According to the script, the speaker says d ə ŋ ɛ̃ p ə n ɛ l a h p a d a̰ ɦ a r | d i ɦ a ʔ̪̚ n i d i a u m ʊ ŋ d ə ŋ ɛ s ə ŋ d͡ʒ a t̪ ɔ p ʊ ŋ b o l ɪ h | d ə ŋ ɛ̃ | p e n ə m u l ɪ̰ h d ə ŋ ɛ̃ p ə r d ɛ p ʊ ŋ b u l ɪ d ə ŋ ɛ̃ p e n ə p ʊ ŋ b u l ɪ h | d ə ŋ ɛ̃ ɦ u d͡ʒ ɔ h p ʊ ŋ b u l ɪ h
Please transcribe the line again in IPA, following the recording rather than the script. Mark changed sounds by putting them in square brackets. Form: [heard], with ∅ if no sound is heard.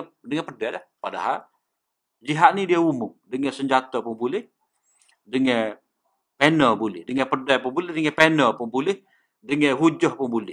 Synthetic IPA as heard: d ə ŋ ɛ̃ p ə [d] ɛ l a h p a d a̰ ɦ a [l] | [d͡ʒ] i ɦ a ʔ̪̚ n i d i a u m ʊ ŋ d ə ŋ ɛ s ə [ɲ] d͡ʒ a t̪ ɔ p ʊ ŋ b [u] l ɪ h | d ə ŋ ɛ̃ | p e n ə [b] u l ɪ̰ h d ə ŋ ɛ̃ p ə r d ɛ p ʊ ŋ b u l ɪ d ə ŋ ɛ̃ p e n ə p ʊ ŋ b u l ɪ h | d ə ŋ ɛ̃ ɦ u d͡ʒ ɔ h p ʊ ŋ b u l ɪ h